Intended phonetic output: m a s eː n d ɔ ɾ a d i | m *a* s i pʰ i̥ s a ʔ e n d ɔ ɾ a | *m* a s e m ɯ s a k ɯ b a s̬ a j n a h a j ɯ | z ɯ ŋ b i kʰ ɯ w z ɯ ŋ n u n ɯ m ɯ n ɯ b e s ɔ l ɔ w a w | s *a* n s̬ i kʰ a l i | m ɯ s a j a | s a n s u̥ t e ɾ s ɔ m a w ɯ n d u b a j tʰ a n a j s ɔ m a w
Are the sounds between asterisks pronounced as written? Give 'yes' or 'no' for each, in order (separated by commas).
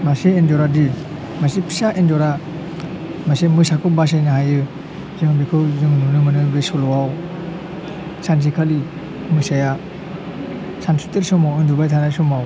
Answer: yes, yes, yes